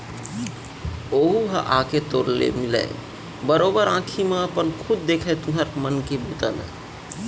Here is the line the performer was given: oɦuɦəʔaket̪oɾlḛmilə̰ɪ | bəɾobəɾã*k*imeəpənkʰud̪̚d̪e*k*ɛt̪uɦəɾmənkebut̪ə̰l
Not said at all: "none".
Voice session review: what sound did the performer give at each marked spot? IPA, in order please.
kʰ, kʰ

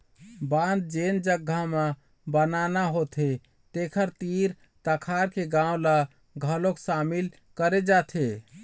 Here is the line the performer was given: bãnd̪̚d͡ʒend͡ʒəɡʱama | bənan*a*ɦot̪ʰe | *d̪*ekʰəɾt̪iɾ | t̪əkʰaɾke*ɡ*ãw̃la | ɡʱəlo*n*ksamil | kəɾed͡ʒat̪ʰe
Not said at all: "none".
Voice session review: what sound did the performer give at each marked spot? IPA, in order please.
a, t̪, ɡ, none

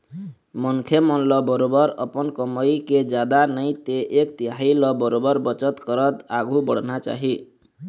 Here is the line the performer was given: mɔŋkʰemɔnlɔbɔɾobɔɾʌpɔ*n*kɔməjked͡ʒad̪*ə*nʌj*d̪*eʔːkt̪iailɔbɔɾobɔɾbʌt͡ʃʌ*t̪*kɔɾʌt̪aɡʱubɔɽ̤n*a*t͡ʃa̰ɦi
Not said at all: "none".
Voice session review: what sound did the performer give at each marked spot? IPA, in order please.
n, a, t̪, t̪, a

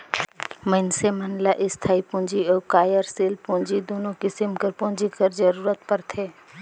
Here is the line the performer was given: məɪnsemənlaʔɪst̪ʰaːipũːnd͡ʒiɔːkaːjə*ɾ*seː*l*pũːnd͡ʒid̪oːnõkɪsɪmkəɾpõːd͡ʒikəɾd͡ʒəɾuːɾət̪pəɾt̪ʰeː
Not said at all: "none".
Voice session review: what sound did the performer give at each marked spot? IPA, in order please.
ɾ, l

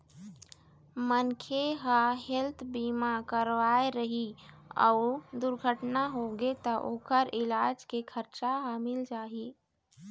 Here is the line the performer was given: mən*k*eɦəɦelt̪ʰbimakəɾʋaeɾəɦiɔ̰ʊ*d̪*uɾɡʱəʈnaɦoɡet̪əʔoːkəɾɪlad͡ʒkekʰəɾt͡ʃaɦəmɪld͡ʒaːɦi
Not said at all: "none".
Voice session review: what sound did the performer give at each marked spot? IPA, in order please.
kʰ, d̪

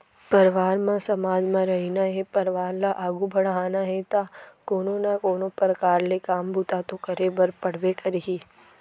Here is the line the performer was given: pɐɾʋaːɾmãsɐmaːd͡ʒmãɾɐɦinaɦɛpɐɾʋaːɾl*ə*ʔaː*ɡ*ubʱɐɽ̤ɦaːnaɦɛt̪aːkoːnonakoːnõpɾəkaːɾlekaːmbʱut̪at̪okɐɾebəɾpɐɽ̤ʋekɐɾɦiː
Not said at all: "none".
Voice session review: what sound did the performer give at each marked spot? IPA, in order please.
a, ɡ

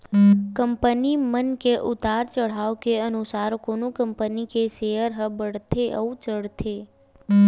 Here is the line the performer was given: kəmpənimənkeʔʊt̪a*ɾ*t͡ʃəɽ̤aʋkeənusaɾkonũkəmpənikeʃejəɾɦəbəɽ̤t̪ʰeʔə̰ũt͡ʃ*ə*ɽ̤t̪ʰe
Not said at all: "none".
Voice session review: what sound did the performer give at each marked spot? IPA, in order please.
ɾ, ə

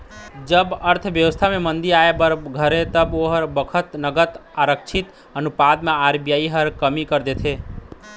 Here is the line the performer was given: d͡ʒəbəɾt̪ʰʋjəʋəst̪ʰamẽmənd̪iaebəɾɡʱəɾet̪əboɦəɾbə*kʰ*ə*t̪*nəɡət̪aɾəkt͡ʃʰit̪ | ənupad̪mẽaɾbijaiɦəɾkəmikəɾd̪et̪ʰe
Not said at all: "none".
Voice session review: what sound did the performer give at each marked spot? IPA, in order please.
kʰ, t̪

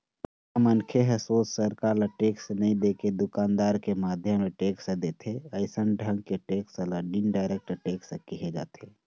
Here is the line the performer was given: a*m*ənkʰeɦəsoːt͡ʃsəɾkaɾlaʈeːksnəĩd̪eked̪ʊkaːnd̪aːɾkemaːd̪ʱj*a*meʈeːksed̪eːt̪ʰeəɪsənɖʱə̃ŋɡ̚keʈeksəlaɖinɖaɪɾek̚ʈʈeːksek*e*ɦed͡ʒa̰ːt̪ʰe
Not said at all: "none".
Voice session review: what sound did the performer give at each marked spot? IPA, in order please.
m, ə, i

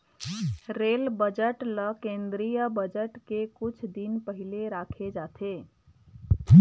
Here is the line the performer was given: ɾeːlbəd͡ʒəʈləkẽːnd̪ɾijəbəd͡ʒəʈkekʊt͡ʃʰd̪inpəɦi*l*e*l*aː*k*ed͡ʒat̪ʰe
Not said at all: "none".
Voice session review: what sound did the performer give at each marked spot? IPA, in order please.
l, ɾ, kʰ

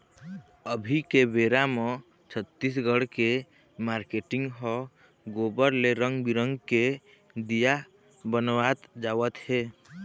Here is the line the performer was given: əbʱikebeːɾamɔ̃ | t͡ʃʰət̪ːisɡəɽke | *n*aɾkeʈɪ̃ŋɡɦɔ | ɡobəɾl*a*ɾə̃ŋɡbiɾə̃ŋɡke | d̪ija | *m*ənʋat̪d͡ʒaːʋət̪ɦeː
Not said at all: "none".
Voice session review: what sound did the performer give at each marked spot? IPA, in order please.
m, e, b

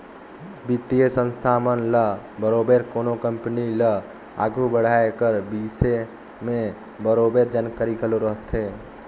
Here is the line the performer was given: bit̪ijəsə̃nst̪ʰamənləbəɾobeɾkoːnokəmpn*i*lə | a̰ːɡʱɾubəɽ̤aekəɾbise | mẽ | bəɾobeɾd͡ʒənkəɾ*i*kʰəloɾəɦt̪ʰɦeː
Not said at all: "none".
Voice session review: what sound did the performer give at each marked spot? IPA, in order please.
i, i

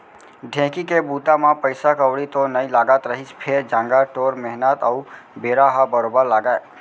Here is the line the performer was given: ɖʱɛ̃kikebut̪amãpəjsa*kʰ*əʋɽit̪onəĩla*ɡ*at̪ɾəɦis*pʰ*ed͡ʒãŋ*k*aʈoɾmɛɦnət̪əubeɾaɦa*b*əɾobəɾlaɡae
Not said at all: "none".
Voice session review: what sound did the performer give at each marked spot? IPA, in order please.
k, ɡ, pʰ, ɡ, b

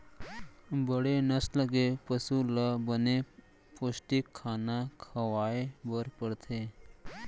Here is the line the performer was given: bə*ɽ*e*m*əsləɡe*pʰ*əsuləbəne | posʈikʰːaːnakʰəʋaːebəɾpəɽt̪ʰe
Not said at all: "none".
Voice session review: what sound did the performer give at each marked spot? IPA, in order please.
ɽ, n, p

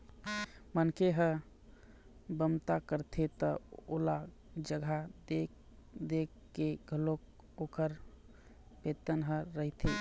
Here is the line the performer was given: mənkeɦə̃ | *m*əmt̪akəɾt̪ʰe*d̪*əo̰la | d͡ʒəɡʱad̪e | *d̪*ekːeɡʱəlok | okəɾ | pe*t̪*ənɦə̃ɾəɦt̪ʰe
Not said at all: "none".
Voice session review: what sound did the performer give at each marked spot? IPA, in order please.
b, t̪, d̪, t̪

